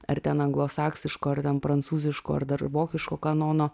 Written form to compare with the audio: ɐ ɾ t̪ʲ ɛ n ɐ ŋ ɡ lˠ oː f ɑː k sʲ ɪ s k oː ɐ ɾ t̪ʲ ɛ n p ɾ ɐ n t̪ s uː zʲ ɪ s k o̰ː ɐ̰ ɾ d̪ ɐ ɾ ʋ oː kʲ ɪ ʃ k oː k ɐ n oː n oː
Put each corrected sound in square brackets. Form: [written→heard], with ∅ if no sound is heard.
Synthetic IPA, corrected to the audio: ɐ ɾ t̪ʲ ɛ n ɐ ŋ ɡ lˠ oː [f→s] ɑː k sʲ ɪ [s→ʃ] k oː ɐ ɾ t̪ʲ ɛ n p ɾ ɐ n t̪ s uː zʲ ɪ [s→ʃ] k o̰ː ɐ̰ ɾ d̪ ɐ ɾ ʋ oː kʲ ɪ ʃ k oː k ɐ n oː n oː